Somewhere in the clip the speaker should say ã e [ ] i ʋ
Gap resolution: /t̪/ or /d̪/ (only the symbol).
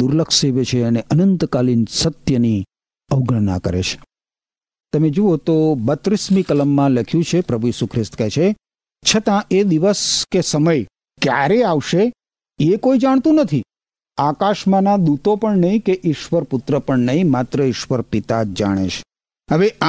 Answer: d̪